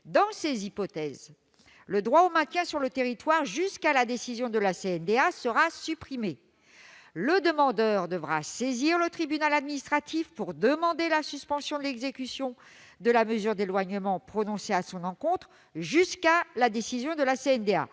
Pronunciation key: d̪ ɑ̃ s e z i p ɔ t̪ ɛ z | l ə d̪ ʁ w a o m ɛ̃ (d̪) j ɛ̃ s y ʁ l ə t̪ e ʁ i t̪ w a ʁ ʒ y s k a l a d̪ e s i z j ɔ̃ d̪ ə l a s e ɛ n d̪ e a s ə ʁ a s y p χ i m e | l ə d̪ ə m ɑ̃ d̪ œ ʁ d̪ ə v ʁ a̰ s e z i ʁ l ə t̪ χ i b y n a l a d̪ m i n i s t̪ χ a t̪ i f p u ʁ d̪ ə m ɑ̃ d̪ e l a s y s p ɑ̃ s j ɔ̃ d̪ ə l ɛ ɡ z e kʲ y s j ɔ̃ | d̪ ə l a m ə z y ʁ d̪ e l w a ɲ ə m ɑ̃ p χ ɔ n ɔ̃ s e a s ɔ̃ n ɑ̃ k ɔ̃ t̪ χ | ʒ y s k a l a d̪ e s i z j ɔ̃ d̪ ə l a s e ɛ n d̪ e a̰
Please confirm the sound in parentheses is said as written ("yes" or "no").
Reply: no